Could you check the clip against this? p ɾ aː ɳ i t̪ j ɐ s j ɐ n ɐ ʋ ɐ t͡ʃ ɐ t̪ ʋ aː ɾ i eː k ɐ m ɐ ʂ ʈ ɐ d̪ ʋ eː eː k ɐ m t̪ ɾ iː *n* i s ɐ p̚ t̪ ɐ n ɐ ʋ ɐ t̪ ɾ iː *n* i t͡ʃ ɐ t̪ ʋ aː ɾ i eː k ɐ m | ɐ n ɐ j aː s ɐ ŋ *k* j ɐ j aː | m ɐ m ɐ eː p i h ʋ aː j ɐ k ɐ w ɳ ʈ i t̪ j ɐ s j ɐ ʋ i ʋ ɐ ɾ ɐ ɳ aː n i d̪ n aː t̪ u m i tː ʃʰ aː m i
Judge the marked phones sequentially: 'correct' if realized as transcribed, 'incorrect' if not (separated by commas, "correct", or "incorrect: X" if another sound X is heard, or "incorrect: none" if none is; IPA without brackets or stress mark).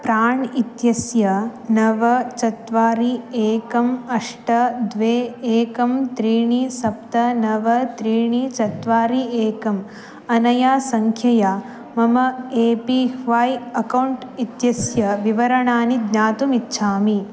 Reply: incorrect: ɳ, incorrect: ɳ, incorrect: kʰ